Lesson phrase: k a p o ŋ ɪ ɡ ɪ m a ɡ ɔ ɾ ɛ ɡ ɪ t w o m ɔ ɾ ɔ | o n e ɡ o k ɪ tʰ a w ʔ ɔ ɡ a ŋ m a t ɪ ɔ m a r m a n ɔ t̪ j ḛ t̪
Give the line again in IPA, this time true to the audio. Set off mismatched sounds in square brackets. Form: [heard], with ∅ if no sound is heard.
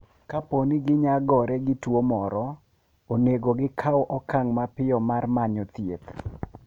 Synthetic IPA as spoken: k a p o [n] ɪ ɡ ɪ [ɲ] a ɡ ɔ ɾ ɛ ɡ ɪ t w o m ɔ ɾ ɔ | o n e ɡ o [ɡ] ɪ [kʰ] a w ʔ ɔ [k] a ŋ m a [p] ɪ ɔ m a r m a [ɲ] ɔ t̪ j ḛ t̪